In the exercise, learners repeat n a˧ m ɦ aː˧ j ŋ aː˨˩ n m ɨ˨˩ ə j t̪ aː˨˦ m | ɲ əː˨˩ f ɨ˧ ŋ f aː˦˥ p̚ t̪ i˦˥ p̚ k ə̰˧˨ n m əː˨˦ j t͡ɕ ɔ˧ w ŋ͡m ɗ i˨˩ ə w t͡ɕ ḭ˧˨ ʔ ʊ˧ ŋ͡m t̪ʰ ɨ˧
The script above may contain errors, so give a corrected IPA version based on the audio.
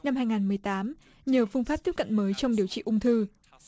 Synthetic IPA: n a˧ m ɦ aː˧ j ŋ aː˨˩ n m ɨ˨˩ ə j t̪ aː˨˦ m | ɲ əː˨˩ f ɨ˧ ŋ f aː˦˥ p̚ t̪ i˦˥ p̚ k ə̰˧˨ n m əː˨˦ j t͡ɕ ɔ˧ w ŋ͡m ɗ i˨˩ ə w t͡ɕ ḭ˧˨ ʔ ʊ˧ ŋ͡m t̪ʰ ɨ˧